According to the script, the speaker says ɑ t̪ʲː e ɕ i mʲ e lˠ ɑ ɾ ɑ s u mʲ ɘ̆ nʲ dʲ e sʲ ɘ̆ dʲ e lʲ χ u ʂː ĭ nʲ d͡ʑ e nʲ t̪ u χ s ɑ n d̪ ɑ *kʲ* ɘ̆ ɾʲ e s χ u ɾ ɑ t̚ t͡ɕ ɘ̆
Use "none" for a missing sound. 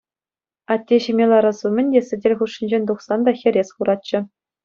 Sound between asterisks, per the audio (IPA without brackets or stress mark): xʲ